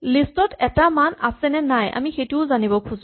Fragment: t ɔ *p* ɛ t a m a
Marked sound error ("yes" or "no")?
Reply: yes